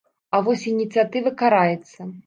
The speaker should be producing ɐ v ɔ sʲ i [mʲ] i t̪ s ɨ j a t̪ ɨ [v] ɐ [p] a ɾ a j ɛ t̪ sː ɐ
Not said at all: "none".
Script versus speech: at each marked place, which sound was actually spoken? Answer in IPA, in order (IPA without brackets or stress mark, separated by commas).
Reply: nʲ, v, k